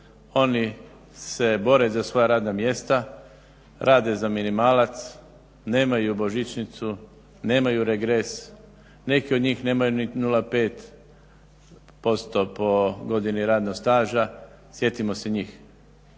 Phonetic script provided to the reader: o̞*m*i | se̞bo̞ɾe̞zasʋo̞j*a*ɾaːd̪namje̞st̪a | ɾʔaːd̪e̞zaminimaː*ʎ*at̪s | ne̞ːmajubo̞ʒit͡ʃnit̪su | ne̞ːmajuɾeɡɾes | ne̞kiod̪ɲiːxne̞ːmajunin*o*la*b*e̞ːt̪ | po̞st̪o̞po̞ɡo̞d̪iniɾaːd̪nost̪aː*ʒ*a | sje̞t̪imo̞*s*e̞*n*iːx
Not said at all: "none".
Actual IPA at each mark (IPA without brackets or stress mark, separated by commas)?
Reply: n, a, l, u, p, ʒ, s, ɲ